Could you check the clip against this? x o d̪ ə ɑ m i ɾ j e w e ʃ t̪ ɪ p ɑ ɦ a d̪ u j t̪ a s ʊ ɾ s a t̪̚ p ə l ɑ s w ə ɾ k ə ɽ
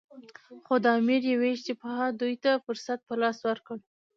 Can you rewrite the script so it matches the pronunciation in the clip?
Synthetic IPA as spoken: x o d̪ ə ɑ m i ɾ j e w e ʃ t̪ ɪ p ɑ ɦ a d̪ u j t̪ a f ʊ ɾ s a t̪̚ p ə l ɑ s w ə ɾ k ə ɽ